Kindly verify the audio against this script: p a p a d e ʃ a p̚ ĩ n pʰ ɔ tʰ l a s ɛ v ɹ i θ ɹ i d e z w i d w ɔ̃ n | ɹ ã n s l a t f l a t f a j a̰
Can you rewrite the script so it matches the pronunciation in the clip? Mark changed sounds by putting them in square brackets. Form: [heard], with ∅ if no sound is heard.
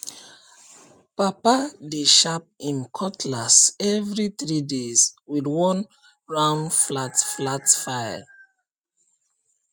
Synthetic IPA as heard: p a p a d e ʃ a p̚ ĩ n [kʰ] ɔ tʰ l a s ɛ v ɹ i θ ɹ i d e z w i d w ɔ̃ n | ɹ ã n [f] l a t f l a t f a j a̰